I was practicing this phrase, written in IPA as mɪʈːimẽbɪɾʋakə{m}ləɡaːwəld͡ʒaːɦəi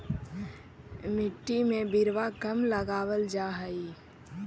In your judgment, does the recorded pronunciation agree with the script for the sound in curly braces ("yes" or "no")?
yes